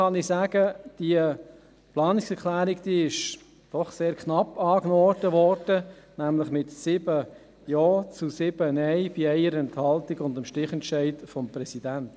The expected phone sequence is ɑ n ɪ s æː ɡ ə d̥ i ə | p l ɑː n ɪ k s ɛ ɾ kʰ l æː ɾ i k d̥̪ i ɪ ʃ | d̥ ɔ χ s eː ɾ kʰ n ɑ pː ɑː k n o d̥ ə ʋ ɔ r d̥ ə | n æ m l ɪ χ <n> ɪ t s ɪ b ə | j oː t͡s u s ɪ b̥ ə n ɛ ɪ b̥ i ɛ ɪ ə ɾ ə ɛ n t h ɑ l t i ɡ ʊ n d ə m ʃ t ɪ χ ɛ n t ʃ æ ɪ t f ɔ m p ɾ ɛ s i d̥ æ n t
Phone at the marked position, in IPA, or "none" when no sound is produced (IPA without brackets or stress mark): m